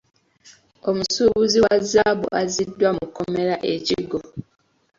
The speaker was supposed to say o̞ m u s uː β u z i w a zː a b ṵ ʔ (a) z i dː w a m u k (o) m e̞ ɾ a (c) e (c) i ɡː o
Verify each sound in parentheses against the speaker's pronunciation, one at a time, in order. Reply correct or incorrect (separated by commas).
correct, correct, incorrect, correct